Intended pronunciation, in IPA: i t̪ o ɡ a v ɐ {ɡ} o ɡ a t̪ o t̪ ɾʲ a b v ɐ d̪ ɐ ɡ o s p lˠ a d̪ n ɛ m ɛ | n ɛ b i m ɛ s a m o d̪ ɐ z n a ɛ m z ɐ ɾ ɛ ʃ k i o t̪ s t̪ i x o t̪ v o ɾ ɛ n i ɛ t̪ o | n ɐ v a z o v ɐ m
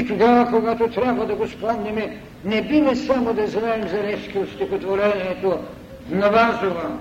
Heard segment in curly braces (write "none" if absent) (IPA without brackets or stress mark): k